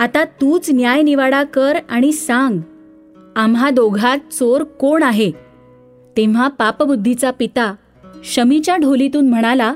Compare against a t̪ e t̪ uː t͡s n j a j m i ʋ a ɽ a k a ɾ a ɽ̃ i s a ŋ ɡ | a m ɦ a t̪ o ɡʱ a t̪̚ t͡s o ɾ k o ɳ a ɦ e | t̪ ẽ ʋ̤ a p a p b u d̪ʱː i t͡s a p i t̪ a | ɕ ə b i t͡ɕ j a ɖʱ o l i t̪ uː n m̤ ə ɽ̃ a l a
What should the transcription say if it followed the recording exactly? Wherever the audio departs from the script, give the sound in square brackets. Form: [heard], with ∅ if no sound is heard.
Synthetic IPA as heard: a t̪ [a] t̪ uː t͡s n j a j [n] i ʋ a ɽ a k [ə] ɾ a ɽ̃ i s a ŋ ɡ | a m ɦ a [d̪] o ɡʱ a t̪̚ t͡s o ɾ k o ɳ a ɦ e | t̪ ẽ ʋ̤ a p a p b u d̪ʱː i t͡s a p i t̪ a | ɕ ə [m] i t͡ɕ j a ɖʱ o l i t̪ uː n m̤ ə ɽ̃ a l a